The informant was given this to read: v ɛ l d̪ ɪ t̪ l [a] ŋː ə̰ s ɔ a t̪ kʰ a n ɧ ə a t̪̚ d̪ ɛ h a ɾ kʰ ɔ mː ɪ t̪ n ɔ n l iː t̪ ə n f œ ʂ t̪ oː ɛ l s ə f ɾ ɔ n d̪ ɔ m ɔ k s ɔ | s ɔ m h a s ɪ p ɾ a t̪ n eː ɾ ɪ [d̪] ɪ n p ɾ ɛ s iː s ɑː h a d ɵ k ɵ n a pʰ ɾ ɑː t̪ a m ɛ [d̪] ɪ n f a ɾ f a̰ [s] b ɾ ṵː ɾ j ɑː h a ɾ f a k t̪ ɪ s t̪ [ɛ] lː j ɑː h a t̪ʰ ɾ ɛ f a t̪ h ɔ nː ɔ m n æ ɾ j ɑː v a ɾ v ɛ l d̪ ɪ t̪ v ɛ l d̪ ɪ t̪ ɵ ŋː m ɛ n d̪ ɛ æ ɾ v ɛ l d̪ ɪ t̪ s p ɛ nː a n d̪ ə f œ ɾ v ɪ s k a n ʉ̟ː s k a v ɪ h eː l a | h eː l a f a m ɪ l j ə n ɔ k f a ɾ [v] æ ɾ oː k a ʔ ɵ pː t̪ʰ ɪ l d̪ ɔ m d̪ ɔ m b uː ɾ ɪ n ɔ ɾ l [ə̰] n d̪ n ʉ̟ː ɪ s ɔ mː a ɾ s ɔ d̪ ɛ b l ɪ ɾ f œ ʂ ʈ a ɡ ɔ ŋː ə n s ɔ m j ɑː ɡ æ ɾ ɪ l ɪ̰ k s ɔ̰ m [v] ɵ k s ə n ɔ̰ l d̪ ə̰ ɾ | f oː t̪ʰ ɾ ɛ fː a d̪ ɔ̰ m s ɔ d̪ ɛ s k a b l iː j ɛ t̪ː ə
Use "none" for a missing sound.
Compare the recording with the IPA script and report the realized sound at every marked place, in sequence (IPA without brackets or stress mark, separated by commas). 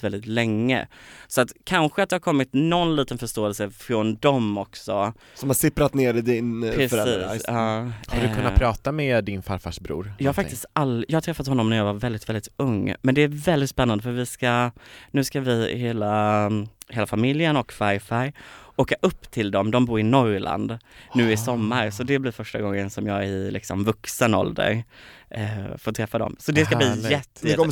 ɛ, d̪, d̪, ʂ, a, f, a̰, v